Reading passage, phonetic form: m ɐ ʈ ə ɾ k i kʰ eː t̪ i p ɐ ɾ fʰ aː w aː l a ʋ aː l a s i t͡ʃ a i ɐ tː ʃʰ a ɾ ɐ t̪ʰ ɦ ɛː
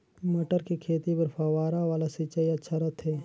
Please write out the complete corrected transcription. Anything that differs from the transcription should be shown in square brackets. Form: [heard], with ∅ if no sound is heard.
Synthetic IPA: m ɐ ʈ ə ɾ k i kʰ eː t̪ i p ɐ ɾ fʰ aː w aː [ɾ] a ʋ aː l a s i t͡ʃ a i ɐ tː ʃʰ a ɾ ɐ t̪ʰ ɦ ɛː